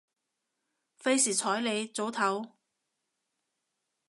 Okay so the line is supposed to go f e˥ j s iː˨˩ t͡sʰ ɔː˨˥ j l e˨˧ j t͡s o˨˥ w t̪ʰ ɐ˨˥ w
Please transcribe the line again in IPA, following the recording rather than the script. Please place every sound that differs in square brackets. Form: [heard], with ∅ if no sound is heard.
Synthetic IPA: f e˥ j s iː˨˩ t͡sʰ ɔː˨˥ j l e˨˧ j t͡s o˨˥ w t̪ʰ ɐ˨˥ w